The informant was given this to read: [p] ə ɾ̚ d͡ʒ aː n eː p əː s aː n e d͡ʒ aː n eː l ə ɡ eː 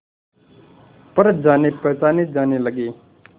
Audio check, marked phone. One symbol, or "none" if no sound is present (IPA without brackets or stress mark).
p